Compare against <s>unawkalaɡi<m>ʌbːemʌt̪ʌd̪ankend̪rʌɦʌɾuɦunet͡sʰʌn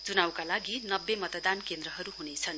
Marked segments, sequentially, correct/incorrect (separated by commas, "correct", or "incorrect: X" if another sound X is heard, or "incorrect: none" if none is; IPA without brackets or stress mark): incorrect: t͡s, incorrect: n